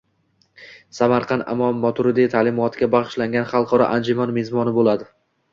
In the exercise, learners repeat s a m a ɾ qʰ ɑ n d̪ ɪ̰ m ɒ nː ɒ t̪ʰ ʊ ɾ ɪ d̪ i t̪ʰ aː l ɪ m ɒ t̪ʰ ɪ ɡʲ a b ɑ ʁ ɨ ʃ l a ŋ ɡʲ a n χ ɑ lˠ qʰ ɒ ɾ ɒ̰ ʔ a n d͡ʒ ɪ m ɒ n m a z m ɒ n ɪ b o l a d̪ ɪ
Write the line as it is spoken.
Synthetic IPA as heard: s a m a ɾ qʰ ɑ n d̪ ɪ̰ m ɒ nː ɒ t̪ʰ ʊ ɾ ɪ d̪ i t̪ʰ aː l ɪ m ɒ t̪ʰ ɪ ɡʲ a b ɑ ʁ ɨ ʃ l a ŋ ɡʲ a n χ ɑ lˠ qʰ ɒ ɾ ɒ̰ ʔ a n d͡ʒ ɪ m ɒ n m e z m ɒ n ɪ b o l a d̪ ɪ